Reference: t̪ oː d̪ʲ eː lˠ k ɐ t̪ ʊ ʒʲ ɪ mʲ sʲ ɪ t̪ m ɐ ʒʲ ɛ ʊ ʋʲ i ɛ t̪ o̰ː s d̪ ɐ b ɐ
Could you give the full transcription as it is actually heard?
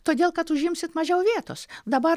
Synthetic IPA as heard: t̪ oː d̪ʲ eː lˠ k ɐ t̪ ʊ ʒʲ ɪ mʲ sʲ ɪ t̪ m ɐ ʒʲ ɛ ʊ ʋʲ i ɛ t̪ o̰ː s d̪ ɐ b ɐ